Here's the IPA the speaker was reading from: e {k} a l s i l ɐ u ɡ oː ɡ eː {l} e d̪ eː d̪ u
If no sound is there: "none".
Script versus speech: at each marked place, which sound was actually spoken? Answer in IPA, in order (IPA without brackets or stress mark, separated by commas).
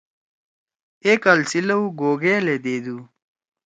k, l